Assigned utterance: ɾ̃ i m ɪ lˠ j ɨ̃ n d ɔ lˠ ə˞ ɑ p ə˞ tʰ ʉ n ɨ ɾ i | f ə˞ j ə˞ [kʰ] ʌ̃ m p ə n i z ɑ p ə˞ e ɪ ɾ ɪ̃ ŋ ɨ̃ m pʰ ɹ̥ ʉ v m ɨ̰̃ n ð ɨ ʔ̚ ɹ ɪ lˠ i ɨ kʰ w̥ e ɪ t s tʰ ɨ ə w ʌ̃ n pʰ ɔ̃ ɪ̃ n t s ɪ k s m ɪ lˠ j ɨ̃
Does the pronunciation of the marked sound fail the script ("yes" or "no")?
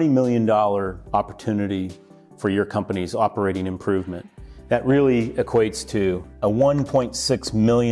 no